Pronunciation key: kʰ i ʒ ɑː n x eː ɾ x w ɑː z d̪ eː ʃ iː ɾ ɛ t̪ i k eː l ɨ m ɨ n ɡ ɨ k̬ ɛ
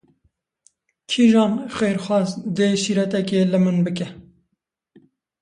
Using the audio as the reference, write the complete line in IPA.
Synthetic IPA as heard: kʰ i ʒ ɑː n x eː ɾ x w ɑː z d̪ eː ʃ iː ɾ ɛ t̪ ɛ k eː l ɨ m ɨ n b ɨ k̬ ɛ